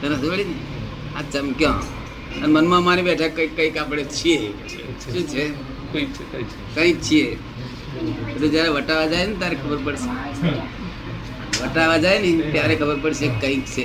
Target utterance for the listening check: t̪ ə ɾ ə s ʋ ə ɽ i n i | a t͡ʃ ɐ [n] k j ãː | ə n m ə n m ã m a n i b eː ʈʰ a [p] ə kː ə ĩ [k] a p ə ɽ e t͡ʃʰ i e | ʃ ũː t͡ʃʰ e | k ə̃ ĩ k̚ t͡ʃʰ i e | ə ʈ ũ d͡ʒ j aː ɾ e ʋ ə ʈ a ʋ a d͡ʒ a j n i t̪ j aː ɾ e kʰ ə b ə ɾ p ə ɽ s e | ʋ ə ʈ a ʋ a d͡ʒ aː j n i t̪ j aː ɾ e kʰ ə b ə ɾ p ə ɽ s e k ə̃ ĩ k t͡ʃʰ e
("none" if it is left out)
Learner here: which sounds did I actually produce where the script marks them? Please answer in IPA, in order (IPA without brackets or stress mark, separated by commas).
m, k, k